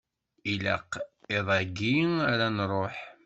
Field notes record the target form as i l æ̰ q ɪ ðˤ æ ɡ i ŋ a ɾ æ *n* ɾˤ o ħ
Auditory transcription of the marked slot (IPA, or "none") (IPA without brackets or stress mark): n